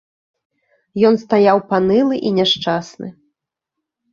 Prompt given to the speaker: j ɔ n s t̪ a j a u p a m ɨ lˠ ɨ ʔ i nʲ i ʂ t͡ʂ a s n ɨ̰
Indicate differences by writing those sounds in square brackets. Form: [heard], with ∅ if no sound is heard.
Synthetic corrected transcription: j ɔ n s t̪ a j a [w] p a [n] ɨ lˠ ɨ ʔ i nʲ [ɛ] ʂ t͡ʂ a s n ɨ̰